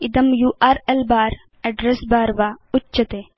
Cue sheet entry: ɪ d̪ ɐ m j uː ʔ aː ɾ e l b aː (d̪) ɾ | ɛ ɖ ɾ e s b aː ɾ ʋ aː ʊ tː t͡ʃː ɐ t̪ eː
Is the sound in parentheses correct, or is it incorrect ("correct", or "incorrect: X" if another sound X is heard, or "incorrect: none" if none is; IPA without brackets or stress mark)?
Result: incorrect: none